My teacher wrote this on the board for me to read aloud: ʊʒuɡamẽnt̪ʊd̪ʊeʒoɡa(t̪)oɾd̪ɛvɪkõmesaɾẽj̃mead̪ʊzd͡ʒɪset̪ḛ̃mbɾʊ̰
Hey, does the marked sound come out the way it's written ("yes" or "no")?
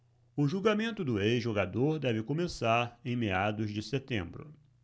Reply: no